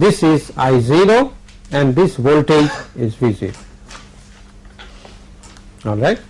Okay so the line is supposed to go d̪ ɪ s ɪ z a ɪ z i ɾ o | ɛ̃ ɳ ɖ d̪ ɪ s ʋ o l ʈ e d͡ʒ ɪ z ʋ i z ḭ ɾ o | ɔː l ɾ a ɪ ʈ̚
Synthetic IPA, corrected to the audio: d̪ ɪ s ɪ z a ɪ z i ɾ o | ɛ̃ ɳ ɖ d̪ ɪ s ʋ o l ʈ e d͡ʒ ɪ z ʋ i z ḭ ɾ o | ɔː l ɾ a ɪ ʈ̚